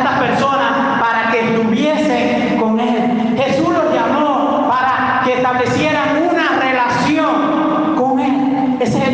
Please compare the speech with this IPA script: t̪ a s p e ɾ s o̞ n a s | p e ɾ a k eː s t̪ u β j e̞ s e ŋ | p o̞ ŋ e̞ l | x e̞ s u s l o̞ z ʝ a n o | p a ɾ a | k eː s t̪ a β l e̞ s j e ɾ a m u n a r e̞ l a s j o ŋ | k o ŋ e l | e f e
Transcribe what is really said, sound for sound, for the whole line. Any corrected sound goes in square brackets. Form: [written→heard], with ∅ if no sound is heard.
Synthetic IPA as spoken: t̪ a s p e ɾ s o̞ n a s | p [e→a] ɾ a k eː s t̪ u β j e̞ s e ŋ | [p→k] o̞ ŋ e̞ l | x e̞ s u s l o̞ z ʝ a [n→m] o | p a ɾ a | k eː s t̪ a β l e̞ s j e ɾ a [m→ŋ] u n a r e̞ l a s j o ŋ | k o ŋ e l | e [f→s] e